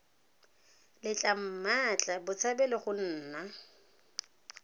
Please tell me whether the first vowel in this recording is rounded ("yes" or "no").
no